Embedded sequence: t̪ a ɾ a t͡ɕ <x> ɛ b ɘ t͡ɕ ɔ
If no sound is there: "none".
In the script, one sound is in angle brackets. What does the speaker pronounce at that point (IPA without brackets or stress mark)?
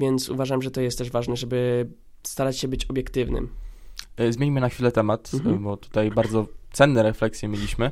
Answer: ɕ